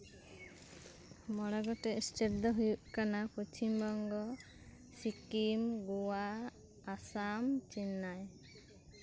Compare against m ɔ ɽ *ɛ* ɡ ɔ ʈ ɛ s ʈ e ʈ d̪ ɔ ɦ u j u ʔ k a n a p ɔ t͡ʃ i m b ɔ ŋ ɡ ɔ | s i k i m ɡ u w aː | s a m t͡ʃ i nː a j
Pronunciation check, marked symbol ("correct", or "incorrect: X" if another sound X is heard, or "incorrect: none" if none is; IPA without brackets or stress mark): incorrect: a